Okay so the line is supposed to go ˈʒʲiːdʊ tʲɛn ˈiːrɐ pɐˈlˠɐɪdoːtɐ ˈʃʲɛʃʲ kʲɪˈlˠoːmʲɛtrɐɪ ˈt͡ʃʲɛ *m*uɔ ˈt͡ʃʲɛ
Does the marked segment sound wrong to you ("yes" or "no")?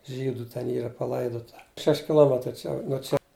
yes